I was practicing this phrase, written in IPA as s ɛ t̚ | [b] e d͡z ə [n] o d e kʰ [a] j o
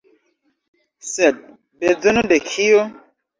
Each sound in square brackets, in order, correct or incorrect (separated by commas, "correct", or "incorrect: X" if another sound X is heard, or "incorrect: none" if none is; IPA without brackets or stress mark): correct, correct, incorrect: i